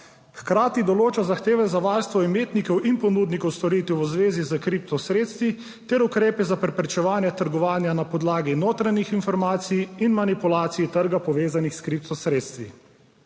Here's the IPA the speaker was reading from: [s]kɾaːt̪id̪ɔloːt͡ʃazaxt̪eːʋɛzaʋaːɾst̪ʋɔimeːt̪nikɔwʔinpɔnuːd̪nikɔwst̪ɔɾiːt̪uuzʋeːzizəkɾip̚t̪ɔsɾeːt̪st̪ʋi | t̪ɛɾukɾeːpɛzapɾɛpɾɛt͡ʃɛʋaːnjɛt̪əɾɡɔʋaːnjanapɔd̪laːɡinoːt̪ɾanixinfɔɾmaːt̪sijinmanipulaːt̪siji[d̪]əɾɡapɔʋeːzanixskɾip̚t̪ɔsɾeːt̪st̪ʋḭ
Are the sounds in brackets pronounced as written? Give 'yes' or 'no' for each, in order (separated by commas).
no, no